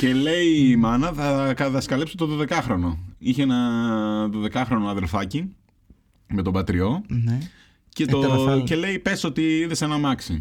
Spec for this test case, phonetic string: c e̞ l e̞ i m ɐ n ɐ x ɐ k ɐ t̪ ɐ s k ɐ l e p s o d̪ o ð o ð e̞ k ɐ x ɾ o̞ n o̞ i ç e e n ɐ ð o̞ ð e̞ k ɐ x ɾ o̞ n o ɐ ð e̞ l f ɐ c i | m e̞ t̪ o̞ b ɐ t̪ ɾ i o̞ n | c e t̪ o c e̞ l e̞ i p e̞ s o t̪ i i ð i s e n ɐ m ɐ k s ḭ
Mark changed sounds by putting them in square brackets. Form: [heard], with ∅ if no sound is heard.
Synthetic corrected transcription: c e̞ l e̞ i m ɐ n ɐ [θ] ɐ k ɐ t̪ ɐ s k ɐ l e p s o [t̪] o ð o ð e̞ k ɐ x ɾ o̞ n o̞ i ç e e n ɐ ð o̞ ð e̞ k ɐ x ɾ o̞ n o ɐ ð e̞ l f ɐ c i | m e̞ t̪ o̞ b ɐ t̪ ɾ i o̞ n | c e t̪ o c e̞ l e̞ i p e̞ s o t̪ i i ð [e] s e n ɐ m ɐ k s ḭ